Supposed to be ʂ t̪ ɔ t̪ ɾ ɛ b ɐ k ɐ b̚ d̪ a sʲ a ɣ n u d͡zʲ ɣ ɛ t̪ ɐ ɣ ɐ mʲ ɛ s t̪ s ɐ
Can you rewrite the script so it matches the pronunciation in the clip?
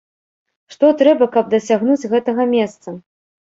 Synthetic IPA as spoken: ʂ t̪ ɔ t̪ ɾ ɛ b ɐ k ɐ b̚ d̪ ɐ sʲ a ɣ n u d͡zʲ ɣ ɛ t̪ ɐ ɣ ɐ mʲ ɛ s t̪ s ɐ